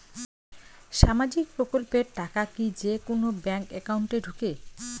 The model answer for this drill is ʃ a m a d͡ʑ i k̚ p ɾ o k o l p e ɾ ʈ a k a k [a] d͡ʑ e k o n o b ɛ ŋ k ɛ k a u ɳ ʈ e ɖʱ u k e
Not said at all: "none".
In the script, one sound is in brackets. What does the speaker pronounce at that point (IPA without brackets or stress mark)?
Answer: i